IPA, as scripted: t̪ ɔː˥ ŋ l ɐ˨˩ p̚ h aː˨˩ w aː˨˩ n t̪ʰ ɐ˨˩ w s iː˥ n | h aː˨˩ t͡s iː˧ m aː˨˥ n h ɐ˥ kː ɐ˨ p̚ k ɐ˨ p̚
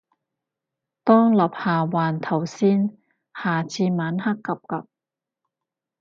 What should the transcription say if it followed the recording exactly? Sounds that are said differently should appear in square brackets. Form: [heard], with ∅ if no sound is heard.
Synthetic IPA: t̪ ɔː˥ ŋ l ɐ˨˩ p̚ h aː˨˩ w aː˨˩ n t̪ʰ ɐ˨˩ w s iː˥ n | h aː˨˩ t͡s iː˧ m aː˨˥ n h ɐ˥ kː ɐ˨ p̚ k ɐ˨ p̚